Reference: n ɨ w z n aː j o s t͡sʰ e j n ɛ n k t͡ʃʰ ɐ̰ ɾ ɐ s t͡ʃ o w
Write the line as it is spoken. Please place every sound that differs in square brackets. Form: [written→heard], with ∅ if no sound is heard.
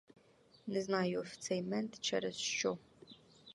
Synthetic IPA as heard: n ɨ [w→∅] z n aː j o [s→f] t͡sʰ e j [n→m] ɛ n [k→t] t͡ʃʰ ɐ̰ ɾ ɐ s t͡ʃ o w